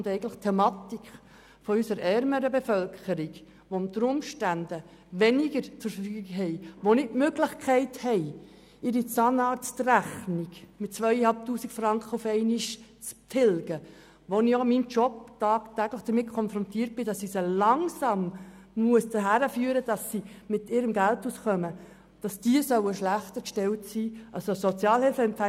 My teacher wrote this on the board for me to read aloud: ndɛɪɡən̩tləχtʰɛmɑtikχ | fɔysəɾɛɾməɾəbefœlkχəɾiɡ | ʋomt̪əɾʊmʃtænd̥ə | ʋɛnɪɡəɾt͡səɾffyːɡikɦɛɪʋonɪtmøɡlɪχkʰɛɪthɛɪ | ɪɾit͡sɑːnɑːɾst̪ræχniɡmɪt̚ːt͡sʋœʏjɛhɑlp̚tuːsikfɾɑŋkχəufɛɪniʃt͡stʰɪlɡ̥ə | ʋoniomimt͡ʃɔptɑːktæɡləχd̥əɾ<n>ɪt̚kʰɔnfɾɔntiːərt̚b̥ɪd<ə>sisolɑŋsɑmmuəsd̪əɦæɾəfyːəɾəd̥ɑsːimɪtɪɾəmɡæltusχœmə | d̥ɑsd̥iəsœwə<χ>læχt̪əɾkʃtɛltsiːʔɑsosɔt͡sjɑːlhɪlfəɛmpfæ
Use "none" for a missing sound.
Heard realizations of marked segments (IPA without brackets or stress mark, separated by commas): m, ɑ, ʃ